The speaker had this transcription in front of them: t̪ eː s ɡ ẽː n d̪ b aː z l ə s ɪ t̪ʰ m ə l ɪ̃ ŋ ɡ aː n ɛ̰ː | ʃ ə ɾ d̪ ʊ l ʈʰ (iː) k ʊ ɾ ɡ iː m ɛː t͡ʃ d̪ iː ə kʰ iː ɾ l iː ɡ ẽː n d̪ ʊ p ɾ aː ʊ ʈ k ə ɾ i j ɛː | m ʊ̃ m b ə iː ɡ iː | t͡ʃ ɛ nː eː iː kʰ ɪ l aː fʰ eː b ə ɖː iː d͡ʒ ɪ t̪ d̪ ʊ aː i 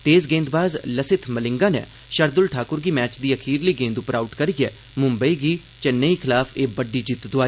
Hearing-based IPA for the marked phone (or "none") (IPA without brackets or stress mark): aː